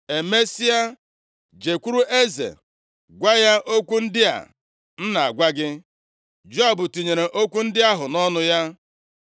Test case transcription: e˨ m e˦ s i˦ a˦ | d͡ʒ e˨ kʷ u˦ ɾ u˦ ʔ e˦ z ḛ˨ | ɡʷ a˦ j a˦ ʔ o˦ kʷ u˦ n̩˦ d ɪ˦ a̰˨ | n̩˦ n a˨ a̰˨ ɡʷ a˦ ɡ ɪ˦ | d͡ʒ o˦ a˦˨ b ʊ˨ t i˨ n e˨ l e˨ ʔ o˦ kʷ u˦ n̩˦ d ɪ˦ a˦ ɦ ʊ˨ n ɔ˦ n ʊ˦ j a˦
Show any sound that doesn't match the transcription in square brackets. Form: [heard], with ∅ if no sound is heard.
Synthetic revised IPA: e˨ m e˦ s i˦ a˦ | d͡ʒ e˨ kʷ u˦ ɾ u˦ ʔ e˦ z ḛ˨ | ɡʷ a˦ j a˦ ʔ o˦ kʷ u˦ n̩˦ d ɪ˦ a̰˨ | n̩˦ n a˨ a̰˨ ɡʷ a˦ ɡ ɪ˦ | d͡ʒ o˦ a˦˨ b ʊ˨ t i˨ [ɲ] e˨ [ɾ] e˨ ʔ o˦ kʷ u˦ n̩˦ d ɪ˦ a˦ ɦ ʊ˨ n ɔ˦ n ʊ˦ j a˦

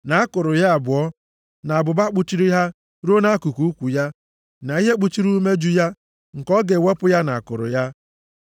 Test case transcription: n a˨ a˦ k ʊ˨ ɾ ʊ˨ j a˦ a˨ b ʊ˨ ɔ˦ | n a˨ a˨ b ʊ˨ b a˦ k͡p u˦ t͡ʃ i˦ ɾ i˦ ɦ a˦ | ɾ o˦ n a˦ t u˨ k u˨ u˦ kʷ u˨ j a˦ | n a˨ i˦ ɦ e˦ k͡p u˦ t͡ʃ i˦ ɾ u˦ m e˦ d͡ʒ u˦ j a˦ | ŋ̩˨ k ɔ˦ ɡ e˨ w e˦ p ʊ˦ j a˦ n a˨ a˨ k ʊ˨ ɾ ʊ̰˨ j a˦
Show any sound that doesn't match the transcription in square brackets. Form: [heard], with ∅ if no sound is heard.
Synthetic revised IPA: n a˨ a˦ k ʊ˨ ɾ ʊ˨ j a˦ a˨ b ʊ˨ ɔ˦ | n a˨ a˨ b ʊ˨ b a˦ k͡p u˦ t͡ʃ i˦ ɾ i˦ ɦ a˦ | ɾ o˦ n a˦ [k] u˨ k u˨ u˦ kʷ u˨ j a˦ | n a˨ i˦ ɦ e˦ k͡p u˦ t͡ʃ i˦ ɾ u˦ m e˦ d͡ʒ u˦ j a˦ | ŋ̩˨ k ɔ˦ ɡ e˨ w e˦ p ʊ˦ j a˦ n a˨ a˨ k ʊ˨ ɾ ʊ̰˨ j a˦

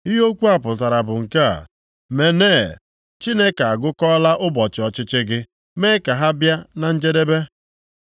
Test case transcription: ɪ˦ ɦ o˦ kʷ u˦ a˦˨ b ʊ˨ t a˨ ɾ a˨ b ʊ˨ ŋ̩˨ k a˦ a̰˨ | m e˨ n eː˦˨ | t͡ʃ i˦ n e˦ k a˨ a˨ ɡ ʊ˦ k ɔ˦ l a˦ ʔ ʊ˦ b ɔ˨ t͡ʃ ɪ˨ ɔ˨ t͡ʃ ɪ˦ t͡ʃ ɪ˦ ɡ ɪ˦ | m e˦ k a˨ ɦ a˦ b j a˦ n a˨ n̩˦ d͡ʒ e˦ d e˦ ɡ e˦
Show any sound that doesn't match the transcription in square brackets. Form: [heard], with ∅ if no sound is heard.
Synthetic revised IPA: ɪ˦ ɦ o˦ kʷ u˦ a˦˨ [p] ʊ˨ t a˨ ɾ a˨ b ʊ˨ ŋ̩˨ k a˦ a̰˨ | m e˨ n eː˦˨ | t͡ʃ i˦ n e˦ k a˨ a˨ ɡ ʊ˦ k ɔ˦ l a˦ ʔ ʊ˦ b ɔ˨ t͡ʃ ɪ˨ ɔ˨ t͡ʃ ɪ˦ t͡ʃ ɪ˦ ɡ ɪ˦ | m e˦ k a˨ ɦ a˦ b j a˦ n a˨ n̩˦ d͡ʒ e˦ d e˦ [b] e˦

